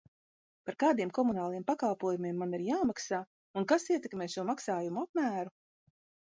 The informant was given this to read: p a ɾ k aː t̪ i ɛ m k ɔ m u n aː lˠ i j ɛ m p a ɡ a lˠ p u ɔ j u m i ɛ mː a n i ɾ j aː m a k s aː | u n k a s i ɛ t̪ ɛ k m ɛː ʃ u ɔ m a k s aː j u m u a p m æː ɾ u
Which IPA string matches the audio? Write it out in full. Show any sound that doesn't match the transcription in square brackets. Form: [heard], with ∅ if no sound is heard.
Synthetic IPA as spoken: p a ɾ k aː [d̪] i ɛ m k ɔ m u n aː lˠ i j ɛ m p a [k] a lˠ p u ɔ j u m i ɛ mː a n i ɾ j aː m a k s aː | u n k a s i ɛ t̪ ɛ k m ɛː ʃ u ɔ m a k s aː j u m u a p m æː ɾ u